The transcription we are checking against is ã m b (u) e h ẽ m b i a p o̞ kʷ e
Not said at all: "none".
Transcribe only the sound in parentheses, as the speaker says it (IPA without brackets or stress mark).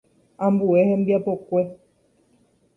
u